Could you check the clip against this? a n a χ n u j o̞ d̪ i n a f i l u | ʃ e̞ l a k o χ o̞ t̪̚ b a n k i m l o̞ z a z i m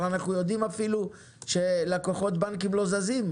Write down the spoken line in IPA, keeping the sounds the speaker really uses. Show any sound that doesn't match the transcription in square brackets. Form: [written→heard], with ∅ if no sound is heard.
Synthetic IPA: a n a χ n u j o̞ d̪ i [n→m] a f i l u | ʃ e̞ l a k o χ o̞ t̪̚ b a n k i m l o̞ z a z i m